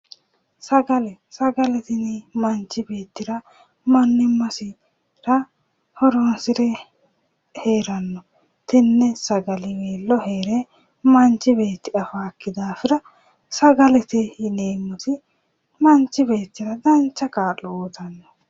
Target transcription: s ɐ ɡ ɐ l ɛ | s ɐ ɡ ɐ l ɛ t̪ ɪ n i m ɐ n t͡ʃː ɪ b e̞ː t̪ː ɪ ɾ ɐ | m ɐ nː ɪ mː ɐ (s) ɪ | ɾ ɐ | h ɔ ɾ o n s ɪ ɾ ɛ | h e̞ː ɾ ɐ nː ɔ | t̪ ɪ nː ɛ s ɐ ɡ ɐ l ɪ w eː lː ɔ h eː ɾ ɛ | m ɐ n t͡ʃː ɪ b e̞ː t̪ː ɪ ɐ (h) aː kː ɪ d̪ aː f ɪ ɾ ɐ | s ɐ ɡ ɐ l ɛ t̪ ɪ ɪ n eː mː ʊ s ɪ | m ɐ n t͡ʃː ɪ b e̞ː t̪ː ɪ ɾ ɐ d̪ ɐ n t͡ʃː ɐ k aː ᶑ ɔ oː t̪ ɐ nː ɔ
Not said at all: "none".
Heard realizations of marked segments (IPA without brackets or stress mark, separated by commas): s, f